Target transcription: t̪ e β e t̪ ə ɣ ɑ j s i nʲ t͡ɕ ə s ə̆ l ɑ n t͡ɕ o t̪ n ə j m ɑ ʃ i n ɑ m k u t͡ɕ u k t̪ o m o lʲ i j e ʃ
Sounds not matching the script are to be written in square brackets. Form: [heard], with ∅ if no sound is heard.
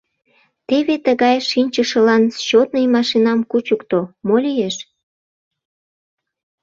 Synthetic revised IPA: t̪ e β e t̪ ə ɣ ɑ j [ʃ] i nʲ t͡ɕ ə [ʃ] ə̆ l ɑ n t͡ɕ o t̪ n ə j m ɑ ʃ i n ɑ m k u t͡ɕ u k t̪ o m o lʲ i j e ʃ